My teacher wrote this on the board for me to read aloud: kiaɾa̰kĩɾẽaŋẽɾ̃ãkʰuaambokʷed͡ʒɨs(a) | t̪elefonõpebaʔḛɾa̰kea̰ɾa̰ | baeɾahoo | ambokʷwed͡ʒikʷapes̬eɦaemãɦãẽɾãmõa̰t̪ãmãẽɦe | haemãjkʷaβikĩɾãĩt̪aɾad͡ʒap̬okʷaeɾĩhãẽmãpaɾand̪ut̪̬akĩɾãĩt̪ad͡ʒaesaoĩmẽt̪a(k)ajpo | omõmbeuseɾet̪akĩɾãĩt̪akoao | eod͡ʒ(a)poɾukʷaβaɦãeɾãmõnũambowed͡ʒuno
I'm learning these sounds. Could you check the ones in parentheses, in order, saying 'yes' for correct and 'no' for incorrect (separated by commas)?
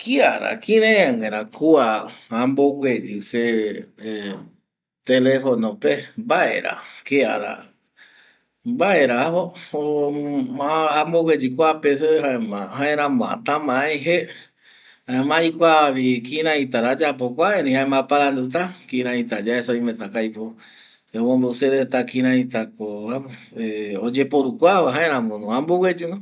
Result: no, yes, no